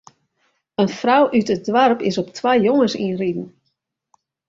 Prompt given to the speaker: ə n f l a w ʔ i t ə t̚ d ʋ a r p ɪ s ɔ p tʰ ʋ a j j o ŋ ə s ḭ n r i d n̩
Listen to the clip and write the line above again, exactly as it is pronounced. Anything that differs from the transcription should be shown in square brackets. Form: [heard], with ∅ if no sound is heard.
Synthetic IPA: ə n f [r] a w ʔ [y] t ə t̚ d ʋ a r p ɪ s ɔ p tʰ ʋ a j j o ŋ ə s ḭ n r i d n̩